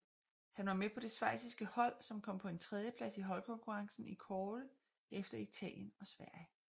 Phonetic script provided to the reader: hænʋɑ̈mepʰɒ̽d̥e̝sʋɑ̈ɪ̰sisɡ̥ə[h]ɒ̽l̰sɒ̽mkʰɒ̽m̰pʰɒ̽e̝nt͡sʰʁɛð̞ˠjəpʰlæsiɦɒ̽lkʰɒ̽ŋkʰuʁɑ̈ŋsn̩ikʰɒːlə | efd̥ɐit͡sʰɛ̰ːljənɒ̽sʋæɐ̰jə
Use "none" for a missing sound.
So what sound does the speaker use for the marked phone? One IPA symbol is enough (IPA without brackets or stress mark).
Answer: h